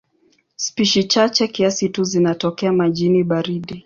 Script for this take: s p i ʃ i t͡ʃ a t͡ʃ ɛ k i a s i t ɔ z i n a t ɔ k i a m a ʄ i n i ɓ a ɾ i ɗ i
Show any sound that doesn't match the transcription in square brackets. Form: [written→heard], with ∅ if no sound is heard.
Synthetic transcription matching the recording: s p i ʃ i t͡ʃ a t͡ʃ ɛ k i a s i t [ɔ→u] z i n a t ɔ k [i→ɛ] a m a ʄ i n i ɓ a ɾ i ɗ i